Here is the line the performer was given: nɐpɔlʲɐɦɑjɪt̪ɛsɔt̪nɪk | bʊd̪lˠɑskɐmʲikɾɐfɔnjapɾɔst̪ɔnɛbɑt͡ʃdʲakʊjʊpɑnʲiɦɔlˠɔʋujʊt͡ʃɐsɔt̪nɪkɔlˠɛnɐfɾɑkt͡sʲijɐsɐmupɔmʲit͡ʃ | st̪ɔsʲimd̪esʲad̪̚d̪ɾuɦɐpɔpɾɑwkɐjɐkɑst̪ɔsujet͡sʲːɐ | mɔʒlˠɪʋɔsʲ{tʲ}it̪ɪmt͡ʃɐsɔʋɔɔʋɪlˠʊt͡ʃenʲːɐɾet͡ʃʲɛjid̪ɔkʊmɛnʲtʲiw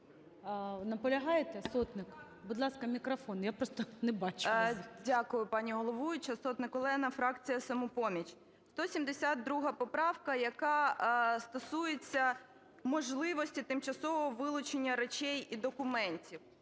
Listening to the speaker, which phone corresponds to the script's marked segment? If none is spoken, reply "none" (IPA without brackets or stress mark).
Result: tʲ